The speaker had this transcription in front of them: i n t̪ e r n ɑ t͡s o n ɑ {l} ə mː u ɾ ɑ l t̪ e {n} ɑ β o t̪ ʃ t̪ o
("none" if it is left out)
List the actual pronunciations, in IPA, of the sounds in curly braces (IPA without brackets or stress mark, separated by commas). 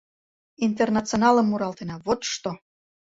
l, n